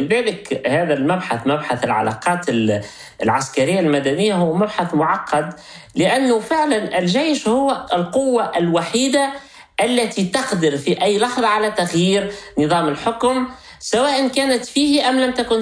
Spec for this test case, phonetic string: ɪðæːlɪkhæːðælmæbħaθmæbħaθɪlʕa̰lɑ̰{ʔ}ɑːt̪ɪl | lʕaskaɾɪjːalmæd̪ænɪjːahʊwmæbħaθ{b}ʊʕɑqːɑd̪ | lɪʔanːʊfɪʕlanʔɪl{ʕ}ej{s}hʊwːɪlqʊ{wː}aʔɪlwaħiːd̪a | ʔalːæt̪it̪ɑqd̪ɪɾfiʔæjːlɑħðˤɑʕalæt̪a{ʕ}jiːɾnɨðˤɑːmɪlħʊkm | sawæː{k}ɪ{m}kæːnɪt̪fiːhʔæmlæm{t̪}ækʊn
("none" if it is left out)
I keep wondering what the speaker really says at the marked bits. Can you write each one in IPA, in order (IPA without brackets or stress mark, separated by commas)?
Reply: q, m, ʒ, ʃ, wː, ɣ, ʔ, n, t̪